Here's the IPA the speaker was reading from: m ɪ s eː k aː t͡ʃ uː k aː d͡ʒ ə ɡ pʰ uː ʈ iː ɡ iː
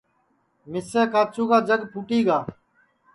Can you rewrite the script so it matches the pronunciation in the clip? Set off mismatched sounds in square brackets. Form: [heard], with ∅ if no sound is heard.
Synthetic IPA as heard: m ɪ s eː k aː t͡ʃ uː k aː d͡ʒ ə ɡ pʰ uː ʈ iː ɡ [aː]